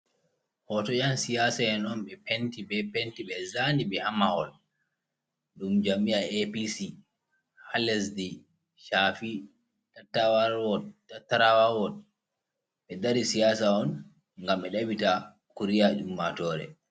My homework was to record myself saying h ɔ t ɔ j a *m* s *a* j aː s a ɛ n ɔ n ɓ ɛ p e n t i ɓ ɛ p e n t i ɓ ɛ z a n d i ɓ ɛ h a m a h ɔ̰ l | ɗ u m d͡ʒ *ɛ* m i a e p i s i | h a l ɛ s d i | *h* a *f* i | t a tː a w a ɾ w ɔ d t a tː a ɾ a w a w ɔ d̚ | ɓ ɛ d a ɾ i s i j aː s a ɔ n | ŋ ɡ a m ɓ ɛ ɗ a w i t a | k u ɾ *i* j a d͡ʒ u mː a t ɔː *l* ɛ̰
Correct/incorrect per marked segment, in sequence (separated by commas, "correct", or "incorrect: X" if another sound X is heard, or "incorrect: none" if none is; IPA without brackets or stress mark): incorrect: n, incorrect: i, incorrect: a, incorrect: ʃ, correct, correct, incorrect: ɾ